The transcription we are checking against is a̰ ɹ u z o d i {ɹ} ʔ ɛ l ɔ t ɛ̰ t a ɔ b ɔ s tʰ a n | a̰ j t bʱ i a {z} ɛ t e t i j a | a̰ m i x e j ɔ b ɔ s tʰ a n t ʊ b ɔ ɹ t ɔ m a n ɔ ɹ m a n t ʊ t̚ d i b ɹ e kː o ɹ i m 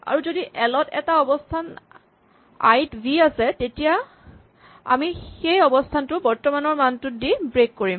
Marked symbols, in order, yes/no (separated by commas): no, no